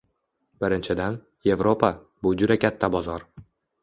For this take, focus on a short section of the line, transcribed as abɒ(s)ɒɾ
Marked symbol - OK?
no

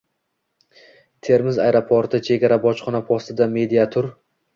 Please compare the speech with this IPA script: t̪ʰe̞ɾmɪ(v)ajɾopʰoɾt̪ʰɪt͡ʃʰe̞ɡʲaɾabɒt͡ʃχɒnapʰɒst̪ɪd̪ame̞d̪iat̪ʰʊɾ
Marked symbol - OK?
no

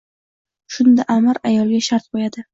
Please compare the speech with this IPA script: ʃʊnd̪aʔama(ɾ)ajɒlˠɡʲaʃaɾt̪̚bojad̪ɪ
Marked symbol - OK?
yes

